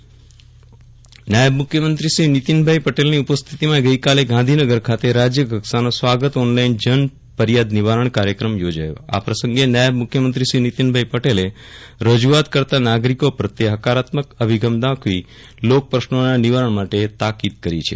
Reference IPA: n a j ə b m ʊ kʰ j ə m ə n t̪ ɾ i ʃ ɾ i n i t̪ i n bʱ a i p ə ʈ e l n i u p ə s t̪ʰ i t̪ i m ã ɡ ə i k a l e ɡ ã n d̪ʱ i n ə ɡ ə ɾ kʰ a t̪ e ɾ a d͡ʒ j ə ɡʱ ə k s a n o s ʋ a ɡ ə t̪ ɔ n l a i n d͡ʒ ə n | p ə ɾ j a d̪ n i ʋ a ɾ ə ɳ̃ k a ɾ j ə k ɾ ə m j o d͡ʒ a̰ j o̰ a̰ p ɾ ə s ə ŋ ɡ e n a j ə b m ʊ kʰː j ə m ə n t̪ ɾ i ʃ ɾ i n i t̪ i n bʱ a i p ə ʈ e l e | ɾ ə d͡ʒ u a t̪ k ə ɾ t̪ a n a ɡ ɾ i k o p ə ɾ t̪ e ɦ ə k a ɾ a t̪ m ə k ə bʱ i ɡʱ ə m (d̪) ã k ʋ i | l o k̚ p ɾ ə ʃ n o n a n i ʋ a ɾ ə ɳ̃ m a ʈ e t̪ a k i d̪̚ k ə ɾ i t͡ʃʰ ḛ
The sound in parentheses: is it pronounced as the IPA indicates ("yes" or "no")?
yes